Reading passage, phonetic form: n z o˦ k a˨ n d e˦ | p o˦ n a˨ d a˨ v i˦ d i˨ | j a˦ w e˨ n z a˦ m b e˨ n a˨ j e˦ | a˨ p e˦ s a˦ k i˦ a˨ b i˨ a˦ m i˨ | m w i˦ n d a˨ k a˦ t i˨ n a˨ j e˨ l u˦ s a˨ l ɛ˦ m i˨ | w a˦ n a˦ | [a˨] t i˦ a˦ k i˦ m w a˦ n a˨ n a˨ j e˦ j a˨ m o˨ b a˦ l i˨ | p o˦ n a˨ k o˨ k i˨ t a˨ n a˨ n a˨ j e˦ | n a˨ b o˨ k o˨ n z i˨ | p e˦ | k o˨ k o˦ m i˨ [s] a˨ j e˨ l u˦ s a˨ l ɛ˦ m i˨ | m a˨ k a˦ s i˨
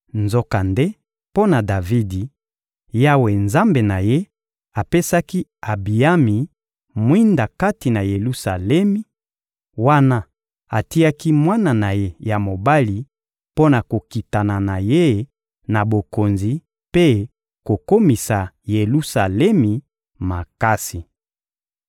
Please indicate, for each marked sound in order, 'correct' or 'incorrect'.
correct, correct

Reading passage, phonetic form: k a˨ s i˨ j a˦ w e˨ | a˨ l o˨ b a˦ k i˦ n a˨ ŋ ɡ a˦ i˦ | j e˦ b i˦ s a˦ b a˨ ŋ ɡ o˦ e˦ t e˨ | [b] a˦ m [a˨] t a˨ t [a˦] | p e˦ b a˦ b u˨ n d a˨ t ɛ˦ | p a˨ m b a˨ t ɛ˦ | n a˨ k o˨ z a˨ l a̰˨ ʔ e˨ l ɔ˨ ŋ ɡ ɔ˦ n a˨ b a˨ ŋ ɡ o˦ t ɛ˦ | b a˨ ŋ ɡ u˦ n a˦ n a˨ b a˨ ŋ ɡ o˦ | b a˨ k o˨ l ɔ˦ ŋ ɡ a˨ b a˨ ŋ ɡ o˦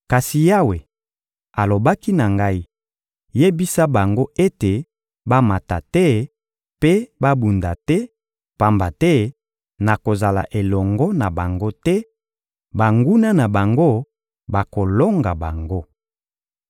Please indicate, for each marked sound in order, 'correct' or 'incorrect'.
correct, correct, incorrect: ɛ˦

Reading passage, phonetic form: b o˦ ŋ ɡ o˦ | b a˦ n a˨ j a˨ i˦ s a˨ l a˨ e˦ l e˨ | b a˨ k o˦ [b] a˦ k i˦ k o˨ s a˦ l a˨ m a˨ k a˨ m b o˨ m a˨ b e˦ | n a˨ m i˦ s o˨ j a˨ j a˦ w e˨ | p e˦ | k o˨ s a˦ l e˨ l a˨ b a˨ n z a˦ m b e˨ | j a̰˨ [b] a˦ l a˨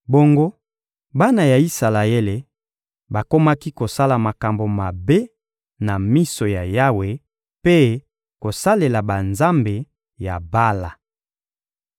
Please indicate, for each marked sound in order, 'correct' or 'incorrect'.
incorrect: m, correct

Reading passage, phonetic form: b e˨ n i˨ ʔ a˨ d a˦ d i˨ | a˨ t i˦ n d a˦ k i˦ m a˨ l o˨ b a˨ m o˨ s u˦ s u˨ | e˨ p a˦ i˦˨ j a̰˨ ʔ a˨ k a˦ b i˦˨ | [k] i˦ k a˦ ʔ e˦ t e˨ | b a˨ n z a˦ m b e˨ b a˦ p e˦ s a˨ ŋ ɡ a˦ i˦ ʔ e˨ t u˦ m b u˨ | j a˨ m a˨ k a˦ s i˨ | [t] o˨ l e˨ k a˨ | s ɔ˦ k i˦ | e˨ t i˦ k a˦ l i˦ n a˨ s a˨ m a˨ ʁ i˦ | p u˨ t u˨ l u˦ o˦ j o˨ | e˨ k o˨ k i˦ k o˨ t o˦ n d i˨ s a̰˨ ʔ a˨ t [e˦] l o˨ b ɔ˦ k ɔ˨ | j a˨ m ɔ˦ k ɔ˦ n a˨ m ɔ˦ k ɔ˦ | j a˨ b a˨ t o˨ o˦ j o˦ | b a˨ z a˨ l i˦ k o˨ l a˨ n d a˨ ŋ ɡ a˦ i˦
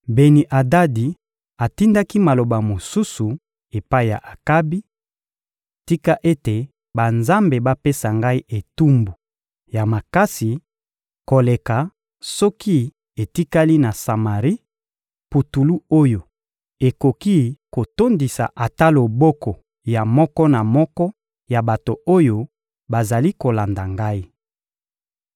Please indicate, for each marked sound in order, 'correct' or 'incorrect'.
incorrect: t, incorrect: k, incorrect: a˦

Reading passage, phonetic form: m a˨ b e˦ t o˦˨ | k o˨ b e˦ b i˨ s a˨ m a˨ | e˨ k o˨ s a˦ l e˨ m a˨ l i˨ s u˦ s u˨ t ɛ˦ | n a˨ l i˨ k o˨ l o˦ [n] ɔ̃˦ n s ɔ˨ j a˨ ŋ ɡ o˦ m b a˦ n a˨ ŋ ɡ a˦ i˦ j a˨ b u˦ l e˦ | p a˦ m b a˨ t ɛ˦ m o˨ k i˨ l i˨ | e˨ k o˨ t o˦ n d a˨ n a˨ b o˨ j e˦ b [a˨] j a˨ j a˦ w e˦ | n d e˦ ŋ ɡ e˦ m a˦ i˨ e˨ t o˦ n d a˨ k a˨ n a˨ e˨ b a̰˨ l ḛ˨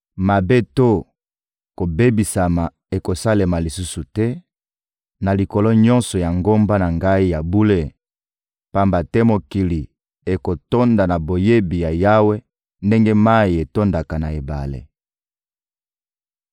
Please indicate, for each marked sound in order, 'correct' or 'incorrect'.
incorrect: ɲ, incorrect: i˨

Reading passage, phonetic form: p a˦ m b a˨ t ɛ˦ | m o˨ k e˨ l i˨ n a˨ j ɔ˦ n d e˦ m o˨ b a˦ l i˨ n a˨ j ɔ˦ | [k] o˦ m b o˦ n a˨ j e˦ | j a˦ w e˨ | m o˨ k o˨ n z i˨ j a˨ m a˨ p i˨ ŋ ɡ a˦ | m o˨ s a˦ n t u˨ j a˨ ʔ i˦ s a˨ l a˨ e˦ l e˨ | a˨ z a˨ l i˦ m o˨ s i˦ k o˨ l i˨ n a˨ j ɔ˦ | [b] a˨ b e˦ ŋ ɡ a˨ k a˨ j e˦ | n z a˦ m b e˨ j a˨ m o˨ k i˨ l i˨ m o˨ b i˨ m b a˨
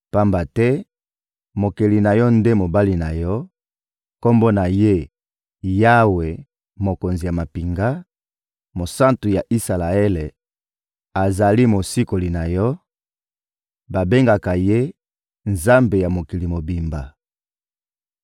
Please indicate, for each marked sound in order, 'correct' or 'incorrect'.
correct, correct

